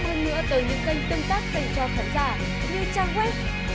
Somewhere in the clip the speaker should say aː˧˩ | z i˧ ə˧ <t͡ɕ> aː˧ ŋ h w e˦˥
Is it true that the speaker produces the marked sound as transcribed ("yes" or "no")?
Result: yes